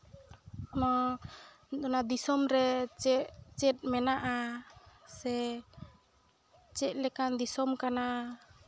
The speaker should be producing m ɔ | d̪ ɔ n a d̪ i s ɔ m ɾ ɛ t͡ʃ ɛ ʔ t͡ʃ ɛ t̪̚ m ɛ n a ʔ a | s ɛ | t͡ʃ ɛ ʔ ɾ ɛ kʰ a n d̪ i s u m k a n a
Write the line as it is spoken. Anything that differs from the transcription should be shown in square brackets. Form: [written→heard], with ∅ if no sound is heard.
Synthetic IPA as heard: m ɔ | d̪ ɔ n a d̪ i s ɔ m ɾ ɛ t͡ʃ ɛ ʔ t͡ʃ ɛ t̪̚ m ɛ n a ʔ a | s ɛ | t͡ʃ ɛ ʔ [ɾ→l] ɛ [kʰ→k] a n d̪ i s [u→ɔ] m k a n a